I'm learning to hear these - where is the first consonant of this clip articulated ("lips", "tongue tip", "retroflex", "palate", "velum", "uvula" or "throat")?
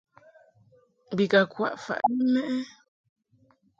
lips